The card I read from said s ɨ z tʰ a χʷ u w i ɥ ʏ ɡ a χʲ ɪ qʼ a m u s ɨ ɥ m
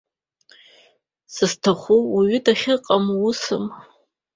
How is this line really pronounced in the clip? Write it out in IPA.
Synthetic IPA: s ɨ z tʰ a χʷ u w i ɥ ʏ d a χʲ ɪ qʼ a m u s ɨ m